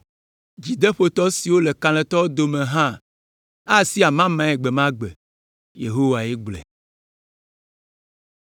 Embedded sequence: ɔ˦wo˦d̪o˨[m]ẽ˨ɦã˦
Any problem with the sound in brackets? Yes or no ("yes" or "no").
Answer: no